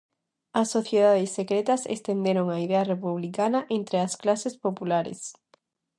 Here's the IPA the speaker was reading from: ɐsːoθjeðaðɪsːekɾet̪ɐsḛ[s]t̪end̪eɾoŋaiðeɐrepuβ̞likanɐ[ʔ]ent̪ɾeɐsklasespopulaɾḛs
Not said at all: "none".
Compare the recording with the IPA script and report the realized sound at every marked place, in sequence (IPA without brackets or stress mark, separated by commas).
s, ʔ